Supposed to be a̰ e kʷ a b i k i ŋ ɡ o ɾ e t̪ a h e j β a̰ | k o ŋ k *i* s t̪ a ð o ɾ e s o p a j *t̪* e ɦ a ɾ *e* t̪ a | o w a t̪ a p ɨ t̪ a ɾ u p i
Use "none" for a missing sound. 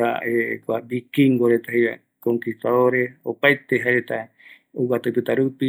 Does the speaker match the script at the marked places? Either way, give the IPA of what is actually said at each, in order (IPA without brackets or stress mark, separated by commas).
i, t̪, e